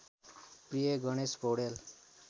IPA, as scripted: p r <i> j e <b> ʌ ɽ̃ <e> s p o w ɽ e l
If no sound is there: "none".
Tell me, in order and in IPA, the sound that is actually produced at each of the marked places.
i, ɡ, e

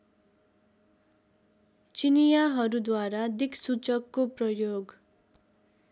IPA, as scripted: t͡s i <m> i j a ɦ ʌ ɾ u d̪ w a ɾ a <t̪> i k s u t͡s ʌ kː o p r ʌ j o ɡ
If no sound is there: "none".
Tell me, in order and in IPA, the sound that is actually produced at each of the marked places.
n, d̪

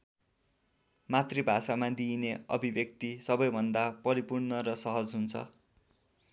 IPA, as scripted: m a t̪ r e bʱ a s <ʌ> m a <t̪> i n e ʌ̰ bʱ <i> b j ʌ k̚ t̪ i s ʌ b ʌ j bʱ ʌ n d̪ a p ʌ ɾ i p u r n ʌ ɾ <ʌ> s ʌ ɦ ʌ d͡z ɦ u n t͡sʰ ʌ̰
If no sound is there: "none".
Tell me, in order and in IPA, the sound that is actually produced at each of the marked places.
a, d̪, i, ʌ

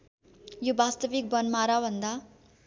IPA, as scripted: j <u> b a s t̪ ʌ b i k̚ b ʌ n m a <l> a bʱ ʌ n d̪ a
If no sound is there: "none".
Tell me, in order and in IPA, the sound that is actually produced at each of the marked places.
o, ɾ

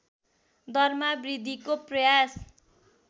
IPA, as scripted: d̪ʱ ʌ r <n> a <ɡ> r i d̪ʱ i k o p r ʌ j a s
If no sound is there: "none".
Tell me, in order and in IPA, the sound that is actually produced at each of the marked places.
m, b

